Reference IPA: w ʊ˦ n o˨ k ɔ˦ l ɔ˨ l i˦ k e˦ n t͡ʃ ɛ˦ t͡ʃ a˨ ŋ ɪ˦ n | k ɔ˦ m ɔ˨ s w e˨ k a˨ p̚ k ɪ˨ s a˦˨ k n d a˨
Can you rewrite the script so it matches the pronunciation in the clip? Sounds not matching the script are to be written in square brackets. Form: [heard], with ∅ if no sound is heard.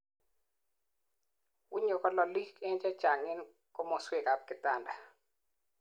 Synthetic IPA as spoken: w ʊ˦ [ɲ] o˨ k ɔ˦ l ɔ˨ l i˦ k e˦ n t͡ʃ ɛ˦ t͡ʃ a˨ ŋ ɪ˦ n | k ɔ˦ m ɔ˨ s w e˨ k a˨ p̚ k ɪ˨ [t] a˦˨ [∅] n d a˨